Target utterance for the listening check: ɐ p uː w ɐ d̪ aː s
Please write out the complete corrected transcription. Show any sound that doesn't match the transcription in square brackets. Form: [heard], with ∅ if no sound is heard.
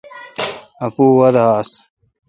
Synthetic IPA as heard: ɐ p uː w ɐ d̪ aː s